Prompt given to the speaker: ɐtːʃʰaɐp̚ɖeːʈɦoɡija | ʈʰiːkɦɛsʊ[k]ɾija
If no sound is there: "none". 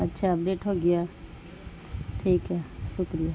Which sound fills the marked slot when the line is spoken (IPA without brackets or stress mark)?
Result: k